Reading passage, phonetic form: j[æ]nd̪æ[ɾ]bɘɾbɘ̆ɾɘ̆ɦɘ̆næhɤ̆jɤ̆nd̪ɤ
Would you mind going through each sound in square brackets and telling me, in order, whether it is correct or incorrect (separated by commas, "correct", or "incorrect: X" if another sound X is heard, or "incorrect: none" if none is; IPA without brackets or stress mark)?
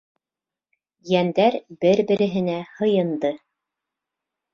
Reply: correct, correct